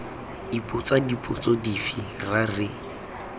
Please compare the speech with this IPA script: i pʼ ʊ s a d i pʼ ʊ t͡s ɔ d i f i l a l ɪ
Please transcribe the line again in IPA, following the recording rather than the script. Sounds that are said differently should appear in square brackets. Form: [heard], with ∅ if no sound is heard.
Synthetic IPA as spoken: i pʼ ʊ [t͡s] a d i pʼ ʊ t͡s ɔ d i f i [r] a [r] ɪ